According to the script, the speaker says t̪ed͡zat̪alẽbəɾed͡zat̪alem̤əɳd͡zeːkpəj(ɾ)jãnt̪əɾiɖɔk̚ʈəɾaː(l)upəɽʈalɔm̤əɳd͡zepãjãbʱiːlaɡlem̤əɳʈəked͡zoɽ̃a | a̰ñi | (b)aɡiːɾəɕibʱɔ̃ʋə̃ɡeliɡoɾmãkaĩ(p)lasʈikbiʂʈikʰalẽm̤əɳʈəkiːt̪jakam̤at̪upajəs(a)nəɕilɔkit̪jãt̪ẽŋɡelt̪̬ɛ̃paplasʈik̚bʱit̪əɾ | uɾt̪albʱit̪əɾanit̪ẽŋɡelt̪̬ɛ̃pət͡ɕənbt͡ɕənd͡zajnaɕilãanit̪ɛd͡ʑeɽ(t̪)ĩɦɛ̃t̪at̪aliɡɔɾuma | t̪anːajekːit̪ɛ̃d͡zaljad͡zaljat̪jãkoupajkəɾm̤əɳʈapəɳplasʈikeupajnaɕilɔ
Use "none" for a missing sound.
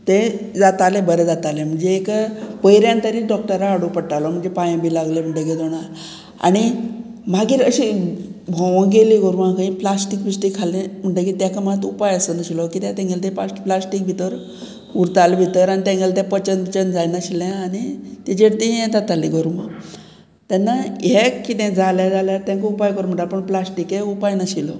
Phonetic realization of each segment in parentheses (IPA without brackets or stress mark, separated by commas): ɾ, ɽ, m, p, ə, t̪